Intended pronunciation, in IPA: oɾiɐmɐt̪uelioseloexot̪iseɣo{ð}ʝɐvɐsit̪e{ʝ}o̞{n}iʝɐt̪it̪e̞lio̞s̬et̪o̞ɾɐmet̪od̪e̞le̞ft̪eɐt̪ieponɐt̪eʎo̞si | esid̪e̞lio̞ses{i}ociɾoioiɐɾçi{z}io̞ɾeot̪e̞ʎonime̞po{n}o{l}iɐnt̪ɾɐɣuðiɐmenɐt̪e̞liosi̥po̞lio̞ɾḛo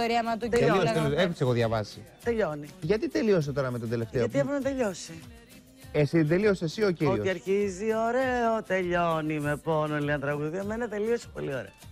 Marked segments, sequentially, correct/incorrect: correct, incorrect, correct, correct, correct, correct, correct

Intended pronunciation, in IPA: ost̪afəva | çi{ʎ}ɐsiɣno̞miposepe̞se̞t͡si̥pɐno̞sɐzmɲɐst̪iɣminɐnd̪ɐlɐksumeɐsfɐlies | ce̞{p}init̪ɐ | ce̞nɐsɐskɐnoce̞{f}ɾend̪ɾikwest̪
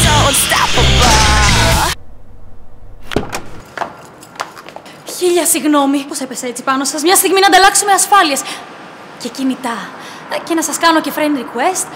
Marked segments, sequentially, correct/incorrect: correct, incorrect, correct

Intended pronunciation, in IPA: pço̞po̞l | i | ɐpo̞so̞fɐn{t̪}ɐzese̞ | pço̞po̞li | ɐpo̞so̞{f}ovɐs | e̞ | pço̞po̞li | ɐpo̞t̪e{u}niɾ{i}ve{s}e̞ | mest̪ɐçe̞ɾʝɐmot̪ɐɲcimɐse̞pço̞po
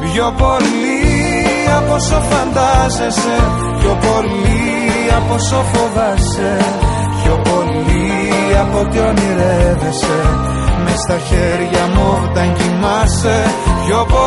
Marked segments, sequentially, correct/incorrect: incorrect, correct, incorrect, incorrect, correct

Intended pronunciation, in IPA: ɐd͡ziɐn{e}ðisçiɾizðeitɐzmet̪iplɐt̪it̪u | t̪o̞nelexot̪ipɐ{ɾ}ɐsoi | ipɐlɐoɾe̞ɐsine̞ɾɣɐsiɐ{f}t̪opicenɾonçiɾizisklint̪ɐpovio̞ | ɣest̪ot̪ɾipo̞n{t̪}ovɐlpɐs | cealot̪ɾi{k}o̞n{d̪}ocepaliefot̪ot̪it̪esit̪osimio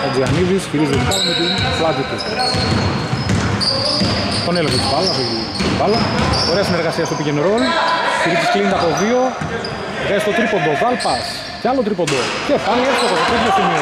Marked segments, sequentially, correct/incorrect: incorrect, incorrect, incorrect, incorrect, incorrect, correct

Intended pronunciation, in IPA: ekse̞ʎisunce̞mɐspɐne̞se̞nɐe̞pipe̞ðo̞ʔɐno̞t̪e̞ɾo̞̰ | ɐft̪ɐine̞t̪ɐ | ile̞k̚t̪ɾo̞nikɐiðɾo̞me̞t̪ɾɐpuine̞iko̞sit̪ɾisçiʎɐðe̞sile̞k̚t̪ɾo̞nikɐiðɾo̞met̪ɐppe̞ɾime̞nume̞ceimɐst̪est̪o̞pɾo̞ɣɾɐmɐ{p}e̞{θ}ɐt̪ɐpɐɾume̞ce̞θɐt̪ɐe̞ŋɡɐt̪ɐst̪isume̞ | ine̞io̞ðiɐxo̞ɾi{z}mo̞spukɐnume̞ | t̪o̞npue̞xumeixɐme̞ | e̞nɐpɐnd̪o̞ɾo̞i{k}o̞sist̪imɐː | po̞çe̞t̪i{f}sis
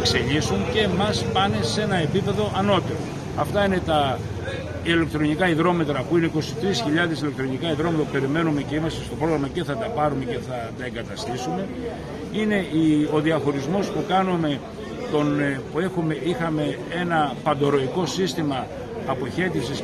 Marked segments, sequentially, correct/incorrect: incorrect, correct, correct, correct, correct

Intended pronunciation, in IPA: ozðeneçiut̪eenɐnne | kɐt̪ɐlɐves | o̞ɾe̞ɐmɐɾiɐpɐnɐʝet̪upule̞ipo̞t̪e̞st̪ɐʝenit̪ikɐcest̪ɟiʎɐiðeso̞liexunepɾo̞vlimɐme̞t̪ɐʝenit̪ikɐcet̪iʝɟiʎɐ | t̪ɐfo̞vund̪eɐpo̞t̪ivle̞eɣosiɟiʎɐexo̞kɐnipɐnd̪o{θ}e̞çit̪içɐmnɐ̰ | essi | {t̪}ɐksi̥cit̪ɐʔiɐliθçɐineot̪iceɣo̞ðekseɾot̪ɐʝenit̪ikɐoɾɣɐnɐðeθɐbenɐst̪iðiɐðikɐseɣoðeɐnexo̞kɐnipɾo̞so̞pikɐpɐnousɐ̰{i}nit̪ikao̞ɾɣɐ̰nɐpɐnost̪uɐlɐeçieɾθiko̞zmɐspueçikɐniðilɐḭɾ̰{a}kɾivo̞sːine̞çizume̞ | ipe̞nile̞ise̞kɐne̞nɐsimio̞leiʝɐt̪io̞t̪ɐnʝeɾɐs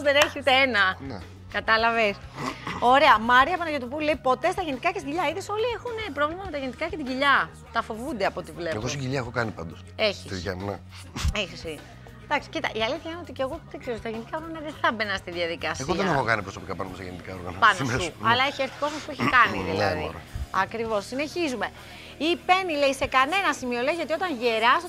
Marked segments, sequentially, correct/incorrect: incorrect, incorrect, incorrect, incorrect

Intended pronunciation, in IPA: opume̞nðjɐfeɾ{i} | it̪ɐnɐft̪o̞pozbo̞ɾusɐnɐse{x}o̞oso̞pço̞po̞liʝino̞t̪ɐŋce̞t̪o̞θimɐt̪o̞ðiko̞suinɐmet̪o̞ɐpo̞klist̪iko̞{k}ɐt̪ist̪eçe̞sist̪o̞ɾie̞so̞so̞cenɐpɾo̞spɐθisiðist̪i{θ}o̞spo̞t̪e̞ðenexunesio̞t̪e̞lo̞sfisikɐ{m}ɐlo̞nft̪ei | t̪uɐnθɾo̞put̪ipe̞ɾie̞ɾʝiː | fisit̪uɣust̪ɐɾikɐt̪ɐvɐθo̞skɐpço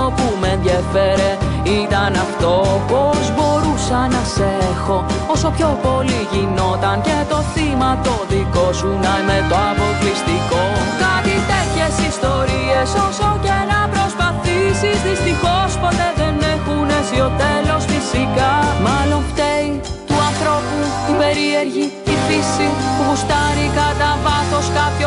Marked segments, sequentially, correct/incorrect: incorrect, correct, correct, incorrect, correct

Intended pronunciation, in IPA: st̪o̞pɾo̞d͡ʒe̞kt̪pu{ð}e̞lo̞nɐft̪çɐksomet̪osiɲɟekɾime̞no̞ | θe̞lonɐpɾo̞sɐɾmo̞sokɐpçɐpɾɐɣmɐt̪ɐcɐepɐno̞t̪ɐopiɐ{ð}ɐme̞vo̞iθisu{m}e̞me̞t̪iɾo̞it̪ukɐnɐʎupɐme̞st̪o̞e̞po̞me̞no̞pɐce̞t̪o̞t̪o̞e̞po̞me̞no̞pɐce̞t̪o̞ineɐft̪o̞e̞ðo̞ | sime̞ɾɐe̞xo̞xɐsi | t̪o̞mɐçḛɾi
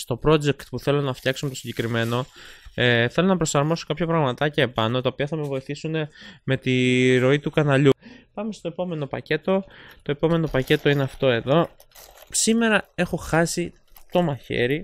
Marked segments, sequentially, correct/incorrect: incorrect, incorrect, incorrect

